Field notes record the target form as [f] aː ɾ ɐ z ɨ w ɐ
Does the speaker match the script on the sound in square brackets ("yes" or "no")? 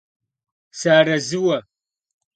no